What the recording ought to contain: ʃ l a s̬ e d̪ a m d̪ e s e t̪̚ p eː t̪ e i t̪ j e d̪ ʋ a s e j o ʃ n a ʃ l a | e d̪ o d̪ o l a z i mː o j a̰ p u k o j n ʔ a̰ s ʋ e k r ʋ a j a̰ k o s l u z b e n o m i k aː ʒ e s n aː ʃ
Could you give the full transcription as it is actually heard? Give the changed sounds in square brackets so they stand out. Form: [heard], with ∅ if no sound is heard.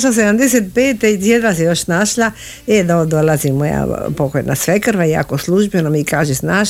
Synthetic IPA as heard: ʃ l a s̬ e d̪ a m d̪ e s e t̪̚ p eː t̪ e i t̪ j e d̪ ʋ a s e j o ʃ n a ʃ l a | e d̪ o d̪ o l a z i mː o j a̰ p [o] k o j n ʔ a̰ s ʋ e k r ʋ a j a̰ k o s l u [ʒ] b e n o m i k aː ʒ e s n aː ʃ